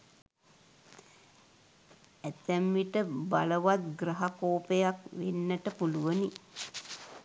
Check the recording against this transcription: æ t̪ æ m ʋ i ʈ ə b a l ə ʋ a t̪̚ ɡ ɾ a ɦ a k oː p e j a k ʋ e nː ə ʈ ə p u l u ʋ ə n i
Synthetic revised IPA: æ t̪ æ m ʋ i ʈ ə b a l ə ʋ a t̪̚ ɡ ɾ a ɦ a k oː p e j a k ʋ e nː ə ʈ ə p u l u ʋ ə n i